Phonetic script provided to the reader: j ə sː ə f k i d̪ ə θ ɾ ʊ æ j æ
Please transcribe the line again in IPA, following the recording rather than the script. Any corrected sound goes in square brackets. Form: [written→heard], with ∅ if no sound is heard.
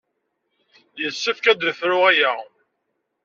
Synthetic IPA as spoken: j ə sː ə f k [i→æ] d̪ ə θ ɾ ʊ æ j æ